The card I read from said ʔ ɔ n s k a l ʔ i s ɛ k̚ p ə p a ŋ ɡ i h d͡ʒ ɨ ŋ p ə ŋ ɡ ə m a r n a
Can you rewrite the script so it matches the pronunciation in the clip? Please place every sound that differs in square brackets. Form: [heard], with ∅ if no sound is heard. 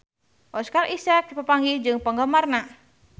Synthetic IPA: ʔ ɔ [∅] s k a [r] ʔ i s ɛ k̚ p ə p a ŋ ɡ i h d͡ʒ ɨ ŋ p ə ŋ ɡ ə m a r n a

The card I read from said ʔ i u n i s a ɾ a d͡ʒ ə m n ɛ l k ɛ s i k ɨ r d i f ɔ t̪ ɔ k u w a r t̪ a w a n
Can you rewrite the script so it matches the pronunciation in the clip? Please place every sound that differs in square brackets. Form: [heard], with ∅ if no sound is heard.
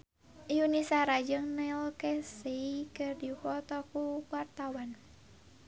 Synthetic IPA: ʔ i u n i s a ɾ a d͡ʒ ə [ŋ] n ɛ l k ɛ s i k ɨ r d i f ɔ t̪ ɔ k u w a r t̪ a w a n

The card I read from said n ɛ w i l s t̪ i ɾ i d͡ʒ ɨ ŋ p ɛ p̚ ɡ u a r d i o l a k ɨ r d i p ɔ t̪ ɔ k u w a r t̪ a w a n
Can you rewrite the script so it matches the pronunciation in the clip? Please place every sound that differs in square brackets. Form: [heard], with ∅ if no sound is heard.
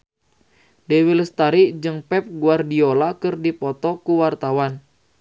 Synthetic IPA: [d] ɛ w i l s t̪ [a] ɾ i d͡ʒ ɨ ŋ p ɛ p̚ ɡ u a r d i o l a k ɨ r d i p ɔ t̪ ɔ k u w a r t̪ a w a n

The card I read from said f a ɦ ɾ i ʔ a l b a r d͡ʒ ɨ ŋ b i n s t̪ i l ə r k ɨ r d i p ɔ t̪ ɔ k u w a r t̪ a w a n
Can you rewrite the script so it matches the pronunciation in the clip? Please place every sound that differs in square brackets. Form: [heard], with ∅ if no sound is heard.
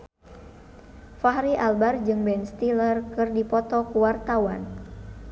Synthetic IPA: f a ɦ ɾ i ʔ a l b a r d͡ʒ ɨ ŋ b [ɛ] n s t̪ i l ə r k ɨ r d i p ɔ t̪ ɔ k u w a r t̪ a w a n

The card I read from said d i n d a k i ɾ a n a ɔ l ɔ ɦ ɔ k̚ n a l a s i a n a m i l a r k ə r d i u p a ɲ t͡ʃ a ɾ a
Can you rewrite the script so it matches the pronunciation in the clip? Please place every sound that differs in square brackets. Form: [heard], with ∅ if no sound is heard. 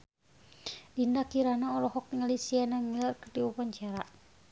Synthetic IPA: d i n d a k i ɾ a n a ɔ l ɔ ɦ ɔ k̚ [ŋ] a l [i] s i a n a m i l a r k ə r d i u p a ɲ t͡ʃ a ɾ a

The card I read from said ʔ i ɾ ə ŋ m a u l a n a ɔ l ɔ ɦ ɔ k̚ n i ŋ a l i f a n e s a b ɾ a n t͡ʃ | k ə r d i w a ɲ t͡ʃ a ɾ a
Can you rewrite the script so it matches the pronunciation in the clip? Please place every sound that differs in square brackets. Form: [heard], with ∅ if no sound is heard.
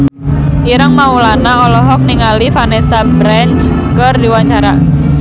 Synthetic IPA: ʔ i ɾ ə ŋ m a u l a n a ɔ l ɔ ɦ ɔ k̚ n i ŋ a l i f a n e s a b ɾ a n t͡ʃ | k ə r d i w a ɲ t͡ʃ a ɾ a

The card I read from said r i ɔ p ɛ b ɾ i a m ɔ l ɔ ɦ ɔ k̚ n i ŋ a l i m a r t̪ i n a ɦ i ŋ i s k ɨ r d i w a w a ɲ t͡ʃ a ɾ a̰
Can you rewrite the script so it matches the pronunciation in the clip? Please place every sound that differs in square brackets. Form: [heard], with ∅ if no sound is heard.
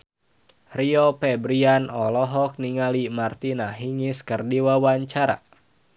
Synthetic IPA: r i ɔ p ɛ b ɾ i a [n] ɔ l ɔ ɦ ɔ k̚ n i ŋ a l i m a r t̪ i n a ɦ i ŋ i s k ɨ r d i w a w a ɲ t͡ʃ a ɾ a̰

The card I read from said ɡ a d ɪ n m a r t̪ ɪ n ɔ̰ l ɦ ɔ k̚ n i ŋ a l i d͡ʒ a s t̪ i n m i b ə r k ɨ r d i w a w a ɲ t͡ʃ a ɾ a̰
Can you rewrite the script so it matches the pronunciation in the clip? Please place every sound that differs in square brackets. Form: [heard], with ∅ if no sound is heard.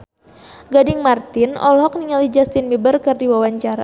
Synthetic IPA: ɡ a d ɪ [ŋ] m a r t̪ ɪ n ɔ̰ l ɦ ɔ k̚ n i ŋ a l i d͡ʒ a s t̪ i n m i b ə r k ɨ r d i w a w a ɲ t͡ʃ a ɾ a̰

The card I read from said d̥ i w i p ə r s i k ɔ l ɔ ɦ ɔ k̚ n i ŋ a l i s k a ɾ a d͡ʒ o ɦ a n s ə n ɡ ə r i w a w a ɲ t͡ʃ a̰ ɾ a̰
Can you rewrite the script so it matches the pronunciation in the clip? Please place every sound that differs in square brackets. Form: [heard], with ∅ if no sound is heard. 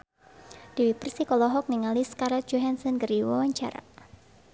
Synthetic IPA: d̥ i w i p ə r s i k ɔ l ɔ ɦ ɔ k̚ n i ŋ a l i s k a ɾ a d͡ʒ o ɦ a n s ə n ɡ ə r i w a w a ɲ t͡ʃ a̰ ɾ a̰

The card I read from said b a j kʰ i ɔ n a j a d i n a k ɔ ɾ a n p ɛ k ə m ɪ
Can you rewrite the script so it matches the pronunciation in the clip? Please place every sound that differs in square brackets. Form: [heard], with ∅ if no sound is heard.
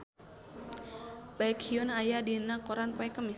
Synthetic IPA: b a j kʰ i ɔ n a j a d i n a k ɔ ɾ a n p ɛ k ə m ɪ

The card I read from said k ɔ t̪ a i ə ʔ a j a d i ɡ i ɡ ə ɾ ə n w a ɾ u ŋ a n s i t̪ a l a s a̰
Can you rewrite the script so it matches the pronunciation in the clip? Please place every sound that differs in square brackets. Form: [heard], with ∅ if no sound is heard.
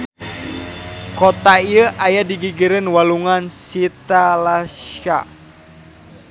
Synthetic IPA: k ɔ t̪ a i ə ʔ a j a d i ɡ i ɡ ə ɾ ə n w a [l] u ŋ a n s i t̪ a l a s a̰

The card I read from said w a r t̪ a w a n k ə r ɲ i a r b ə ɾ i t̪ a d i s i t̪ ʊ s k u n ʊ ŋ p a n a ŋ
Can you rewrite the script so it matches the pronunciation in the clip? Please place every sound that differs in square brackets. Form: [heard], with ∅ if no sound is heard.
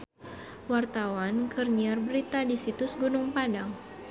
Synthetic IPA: w a r t̪ a w a n k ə r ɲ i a r b ə ɾ i t̪ a d i s i t̪ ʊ s [ɡ] u n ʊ ŋ p a [d] a ŋ

